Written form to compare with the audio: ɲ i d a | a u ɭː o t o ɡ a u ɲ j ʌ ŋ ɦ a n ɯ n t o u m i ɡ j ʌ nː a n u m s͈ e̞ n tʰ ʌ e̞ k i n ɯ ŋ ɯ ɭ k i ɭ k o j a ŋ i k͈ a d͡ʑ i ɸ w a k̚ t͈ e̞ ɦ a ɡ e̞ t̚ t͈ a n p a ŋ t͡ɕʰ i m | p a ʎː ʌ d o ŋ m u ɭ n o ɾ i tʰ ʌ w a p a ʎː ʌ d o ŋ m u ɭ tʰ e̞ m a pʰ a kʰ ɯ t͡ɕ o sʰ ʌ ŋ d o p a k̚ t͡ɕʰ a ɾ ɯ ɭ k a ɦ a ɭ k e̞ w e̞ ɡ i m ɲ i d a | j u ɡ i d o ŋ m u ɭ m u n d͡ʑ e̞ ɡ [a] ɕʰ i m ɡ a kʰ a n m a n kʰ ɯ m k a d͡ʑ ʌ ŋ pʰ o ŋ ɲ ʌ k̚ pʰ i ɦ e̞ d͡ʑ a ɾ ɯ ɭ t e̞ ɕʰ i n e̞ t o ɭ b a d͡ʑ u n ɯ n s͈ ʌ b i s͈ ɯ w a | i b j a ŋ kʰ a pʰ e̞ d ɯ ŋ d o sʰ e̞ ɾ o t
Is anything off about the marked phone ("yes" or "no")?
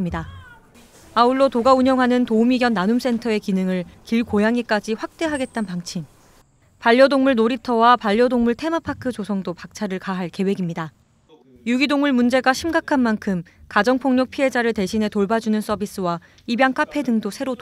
no